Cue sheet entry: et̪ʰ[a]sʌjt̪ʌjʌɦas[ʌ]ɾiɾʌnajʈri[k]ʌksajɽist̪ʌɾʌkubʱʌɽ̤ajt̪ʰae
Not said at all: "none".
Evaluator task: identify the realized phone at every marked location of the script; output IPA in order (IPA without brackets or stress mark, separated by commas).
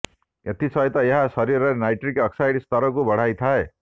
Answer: i, ʌ, k